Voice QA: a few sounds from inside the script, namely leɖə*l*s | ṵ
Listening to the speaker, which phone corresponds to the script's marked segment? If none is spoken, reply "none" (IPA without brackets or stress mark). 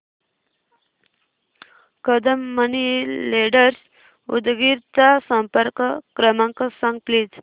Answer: ɾ